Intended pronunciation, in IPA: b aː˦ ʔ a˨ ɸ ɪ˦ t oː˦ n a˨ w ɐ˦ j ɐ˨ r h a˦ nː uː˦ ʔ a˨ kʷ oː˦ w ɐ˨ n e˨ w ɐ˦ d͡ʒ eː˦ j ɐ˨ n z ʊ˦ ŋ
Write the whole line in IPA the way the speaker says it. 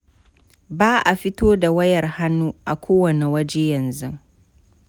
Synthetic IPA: b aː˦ ʔ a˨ ɸ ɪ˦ t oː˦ d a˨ w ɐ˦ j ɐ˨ r h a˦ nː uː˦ ʔ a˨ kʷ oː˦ w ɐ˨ n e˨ w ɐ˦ d͡ʒ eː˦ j ɐ˨ n z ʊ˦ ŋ